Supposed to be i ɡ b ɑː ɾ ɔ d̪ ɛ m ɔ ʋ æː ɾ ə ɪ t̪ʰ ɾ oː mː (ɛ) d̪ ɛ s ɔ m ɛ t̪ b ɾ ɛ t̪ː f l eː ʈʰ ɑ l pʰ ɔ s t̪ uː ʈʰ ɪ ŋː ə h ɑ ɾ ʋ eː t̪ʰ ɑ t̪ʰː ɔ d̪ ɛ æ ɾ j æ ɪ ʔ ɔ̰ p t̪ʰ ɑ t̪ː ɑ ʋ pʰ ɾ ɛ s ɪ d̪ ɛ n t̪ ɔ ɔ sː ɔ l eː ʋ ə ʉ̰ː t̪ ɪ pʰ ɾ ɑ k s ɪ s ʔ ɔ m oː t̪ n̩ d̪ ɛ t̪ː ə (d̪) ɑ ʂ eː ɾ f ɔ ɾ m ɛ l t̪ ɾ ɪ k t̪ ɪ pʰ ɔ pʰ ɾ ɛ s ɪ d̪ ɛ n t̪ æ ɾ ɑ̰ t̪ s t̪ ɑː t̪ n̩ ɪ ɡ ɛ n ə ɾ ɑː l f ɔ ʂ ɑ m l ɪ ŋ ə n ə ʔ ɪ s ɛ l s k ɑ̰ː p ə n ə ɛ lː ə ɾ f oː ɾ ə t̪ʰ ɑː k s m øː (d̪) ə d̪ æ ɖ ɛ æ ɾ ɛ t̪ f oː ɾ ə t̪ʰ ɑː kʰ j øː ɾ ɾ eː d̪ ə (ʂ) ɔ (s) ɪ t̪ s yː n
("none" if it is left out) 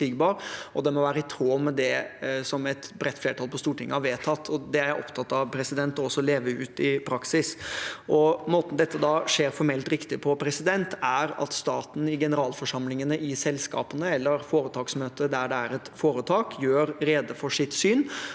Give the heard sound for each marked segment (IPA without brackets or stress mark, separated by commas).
ɛ, d̪, t̪, f, ʂ